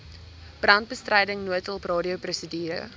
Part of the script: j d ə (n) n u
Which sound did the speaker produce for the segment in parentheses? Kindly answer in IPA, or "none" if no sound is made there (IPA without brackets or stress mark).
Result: ŋ